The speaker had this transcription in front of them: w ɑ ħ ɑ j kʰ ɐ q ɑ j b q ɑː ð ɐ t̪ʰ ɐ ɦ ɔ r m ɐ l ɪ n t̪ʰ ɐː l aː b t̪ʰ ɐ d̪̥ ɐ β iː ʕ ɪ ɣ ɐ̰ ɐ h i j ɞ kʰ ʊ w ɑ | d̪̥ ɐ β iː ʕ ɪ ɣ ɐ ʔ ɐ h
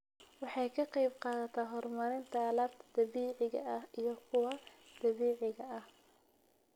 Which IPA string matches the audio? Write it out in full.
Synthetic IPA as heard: w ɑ ħ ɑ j kʰ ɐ q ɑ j b q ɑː ð ɐ t̪ʰ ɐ ɦ ɔ r m ɐ ɾ ɪ n t̪ʰ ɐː l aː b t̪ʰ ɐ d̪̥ ɐ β iː ʕ ɪ ɣ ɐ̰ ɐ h i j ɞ kʰ ʊ w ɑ | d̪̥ ɐ β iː ʕ ɪ ɣ ɐ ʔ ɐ h

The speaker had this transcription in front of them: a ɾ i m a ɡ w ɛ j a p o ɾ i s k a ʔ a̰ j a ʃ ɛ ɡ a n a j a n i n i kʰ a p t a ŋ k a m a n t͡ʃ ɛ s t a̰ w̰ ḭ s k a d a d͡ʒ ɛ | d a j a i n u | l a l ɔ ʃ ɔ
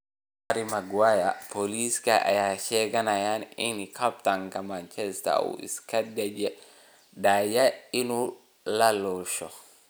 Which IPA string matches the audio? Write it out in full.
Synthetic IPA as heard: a ɾ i m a ɡ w a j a p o l i s k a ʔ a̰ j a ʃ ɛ ɡ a n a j a n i n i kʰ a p t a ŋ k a m a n t͡ʃ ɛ s t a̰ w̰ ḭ s k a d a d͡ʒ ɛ | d a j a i n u | l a l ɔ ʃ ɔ

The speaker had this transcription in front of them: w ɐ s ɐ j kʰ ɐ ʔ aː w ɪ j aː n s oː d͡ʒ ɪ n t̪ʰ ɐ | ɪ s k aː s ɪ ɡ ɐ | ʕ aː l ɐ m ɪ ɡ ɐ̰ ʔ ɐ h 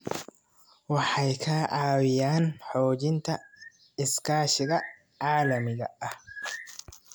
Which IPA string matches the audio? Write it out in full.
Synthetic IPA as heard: w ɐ ħ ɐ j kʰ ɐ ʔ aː w ɪ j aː n ħ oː d͡ʒ ɪ n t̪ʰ ɐ | ɪ s k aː ʃ ɪ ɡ ɐ | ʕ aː l ɐ m ɪ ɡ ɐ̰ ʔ ɐ h

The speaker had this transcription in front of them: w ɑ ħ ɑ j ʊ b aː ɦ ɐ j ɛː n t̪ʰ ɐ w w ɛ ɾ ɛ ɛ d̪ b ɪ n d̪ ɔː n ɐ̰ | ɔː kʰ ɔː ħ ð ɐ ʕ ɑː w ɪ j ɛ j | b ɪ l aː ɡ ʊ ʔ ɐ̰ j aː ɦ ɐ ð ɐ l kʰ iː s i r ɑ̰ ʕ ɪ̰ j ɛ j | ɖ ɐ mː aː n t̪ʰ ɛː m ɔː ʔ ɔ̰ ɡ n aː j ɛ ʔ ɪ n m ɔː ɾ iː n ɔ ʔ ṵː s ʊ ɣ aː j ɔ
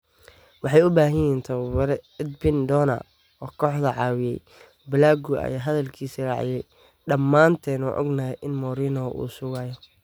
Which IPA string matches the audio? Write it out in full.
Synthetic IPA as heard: w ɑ ħ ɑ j ʊ b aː ɦ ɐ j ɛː n t̪ʰ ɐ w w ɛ ɾ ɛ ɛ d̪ b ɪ n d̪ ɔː n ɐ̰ | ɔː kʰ ɔː ħ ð ɐ ʕ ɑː w ɪ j ɛ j | b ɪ l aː ɡ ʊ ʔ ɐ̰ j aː ɦ ɐ ð ɐ l kʰ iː s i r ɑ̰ ʕ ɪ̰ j ɛ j | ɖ ɐ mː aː n t̪ʰ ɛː n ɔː ʔ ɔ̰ ɡ n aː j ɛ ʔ ɪ n m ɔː ɾ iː n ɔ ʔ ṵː s ʊ ɣ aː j ɔ

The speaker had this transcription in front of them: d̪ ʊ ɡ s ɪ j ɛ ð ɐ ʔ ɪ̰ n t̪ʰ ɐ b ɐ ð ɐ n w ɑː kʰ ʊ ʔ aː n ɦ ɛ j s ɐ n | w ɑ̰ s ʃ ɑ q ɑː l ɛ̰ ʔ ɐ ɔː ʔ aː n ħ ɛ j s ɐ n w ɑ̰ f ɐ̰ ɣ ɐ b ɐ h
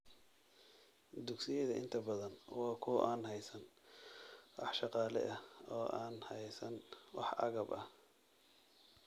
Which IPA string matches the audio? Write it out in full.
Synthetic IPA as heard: d̪ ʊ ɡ s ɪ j ɛ ð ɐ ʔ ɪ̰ n t̪ʰ ɐ b ɐ ð ɐ n w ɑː kʰ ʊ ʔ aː n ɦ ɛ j s ɐ n | w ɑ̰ ħ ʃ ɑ q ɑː l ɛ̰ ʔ ɐ ɔː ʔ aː n h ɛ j s ɐ n w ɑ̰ ħ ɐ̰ ɣ ɐ b ɐ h

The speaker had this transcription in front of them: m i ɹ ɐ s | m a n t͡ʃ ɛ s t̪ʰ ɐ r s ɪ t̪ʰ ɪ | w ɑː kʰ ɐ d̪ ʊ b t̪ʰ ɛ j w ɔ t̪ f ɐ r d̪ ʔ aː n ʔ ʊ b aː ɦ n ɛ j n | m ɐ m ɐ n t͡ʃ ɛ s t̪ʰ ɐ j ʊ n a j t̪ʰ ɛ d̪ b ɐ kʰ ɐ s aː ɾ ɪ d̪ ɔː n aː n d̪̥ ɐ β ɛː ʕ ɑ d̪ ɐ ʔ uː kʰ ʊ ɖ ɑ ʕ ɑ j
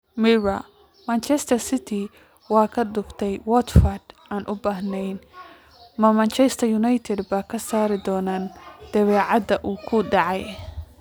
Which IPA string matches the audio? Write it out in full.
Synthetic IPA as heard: m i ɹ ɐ | m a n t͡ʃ ɛ s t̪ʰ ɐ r s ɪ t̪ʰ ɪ | w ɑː kʰ ɐ d̪ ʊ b t̪ʰ ɛ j w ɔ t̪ f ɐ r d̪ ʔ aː n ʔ ʊ b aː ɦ n ɛ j n | m ɐ m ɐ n t͡ʃ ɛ s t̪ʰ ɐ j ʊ n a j t̪ʰ ɛ d̪ b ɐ kʰ ɐ s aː ɾ ɪ d̪ ɔː n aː n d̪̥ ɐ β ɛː ʕ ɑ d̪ ɐ ʔ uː kʰ ʊ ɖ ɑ ʕ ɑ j

